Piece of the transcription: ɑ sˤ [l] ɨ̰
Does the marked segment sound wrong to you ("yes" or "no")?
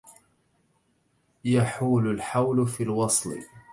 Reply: no